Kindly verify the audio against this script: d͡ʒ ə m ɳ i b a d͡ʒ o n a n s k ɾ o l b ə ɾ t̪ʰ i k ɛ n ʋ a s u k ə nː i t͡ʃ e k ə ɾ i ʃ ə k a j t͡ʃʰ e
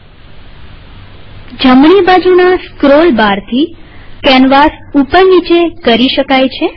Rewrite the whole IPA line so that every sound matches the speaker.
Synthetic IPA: d͡ʒ ə m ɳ i b a d͡ʒ u n a s k ɾ o l b a ɾ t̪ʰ i k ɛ n ʋ a s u p ə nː i t͡ʃ e k ə ɾ i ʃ ə k a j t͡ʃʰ e

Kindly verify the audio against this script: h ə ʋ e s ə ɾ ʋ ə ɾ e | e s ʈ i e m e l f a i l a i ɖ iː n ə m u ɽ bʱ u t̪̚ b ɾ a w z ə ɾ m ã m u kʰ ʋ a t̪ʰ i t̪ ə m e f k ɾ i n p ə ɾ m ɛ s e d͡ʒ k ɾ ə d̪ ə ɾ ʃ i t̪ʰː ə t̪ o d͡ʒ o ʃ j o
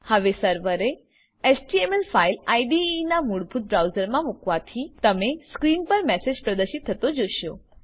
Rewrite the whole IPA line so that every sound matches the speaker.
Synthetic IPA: h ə ʋ e s ə ɾ ʋ ə ɾ e | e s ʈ i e m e l f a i l a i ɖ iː n a m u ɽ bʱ u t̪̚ b ɾ a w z ə ɾ m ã m u k ʋ a t̪ʰ i t̪ ə m e s k ɾ i n p ə ɾ m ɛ s e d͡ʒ p ɾ ə d̪ ə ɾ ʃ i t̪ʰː ə t̪ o d͡ʒ o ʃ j o

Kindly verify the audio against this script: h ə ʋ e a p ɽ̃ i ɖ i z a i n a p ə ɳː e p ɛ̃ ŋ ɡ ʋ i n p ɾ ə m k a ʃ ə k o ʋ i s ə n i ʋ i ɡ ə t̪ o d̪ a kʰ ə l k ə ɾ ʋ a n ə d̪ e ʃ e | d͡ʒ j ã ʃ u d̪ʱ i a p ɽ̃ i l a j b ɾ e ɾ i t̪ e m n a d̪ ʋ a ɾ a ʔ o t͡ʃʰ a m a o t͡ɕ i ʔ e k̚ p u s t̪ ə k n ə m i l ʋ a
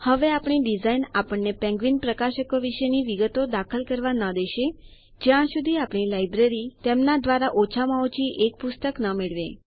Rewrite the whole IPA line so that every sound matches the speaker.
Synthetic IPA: h ə ʋ e a p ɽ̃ i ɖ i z a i n a p ə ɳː e p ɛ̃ ŋ ɡ ʋ i n p ɾ ə k a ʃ ə k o ʋ i ʃ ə n i ʋ i ɡ ə t̪ o d̪ a kʰ ə l k ə ɾ ʋ a n ə d̪ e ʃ e | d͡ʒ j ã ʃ u d̪ʱ i a p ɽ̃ i l a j b ɾ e ɾ i t̪ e m n a d̪ ʋ a ɾ a ʔ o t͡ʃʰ a m a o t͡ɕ i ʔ e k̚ p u s t̪ ə k n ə m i ɭ ʋ e

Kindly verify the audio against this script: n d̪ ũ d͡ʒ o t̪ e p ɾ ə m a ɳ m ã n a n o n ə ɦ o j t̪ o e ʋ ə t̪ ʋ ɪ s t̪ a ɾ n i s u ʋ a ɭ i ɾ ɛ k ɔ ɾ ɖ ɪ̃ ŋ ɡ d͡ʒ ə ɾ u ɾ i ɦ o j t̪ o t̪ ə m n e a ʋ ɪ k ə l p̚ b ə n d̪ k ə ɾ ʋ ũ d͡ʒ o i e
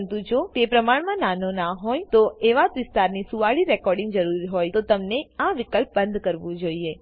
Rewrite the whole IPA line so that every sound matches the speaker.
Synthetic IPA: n t̪ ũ d͡ʒ o t̪ e p ɾ ə m a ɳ m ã n a n o n a ɦ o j t̪ o e ʋ a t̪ ʋ ɪ s t̪ a ɾ n i s u ʋ a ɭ i ɾ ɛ k ɔ ɾ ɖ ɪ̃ ŋ ɡ d͡ʒ ə ɾ u ɾ i ɦ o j t̪ o t̪ ə m n e a ʋ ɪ k ə l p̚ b ə n d̪ k ə ɾ ʋ ũ d͡ʒ o i e

